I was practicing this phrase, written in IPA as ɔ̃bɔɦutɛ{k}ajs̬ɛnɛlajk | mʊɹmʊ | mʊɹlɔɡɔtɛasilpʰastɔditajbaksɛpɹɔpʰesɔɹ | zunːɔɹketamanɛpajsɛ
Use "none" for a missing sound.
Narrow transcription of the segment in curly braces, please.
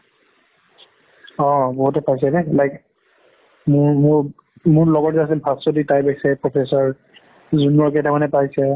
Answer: p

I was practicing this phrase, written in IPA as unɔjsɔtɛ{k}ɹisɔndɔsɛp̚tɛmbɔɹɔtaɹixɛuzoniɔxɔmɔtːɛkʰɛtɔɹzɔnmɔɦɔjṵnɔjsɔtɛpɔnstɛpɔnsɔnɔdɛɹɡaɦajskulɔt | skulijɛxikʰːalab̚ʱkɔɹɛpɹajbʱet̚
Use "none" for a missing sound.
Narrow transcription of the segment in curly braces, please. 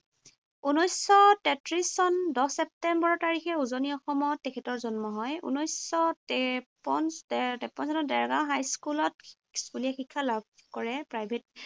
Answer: t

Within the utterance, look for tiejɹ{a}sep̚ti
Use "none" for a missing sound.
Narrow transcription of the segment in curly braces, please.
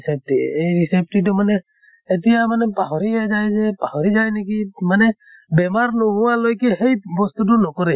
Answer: i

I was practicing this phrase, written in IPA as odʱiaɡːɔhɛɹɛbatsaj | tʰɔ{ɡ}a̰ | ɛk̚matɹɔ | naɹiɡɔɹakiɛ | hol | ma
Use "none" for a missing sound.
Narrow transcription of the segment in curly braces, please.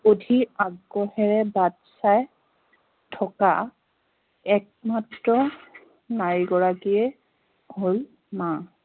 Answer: k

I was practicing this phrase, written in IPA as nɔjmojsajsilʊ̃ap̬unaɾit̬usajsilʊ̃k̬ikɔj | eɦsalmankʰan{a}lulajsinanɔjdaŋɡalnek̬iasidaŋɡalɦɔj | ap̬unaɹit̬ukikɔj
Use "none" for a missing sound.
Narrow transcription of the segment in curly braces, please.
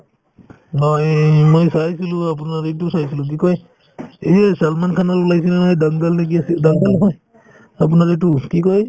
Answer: a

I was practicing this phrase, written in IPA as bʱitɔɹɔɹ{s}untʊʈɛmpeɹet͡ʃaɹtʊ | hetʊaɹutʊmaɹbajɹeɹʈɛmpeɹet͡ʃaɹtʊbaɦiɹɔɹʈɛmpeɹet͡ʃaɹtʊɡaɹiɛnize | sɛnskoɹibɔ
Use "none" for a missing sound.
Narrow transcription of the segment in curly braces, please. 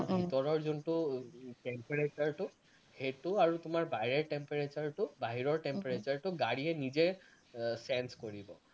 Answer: z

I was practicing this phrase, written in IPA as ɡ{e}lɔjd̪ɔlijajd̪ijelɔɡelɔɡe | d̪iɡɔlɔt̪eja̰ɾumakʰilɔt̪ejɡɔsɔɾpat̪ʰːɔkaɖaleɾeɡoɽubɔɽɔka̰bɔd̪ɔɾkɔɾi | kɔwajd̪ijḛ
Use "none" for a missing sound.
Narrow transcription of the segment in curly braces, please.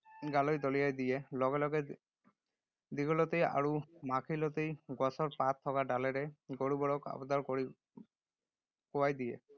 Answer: a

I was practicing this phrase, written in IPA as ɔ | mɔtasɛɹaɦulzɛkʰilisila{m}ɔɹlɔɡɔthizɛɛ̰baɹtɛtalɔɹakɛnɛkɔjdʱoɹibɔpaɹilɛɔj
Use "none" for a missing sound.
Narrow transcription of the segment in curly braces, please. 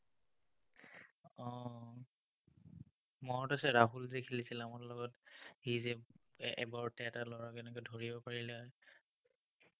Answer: m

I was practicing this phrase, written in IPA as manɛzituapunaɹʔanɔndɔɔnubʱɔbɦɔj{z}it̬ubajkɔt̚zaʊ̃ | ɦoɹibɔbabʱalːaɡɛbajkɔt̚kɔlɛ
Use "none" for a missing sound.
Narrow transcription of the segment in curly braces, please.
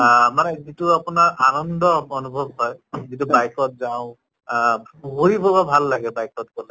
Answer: z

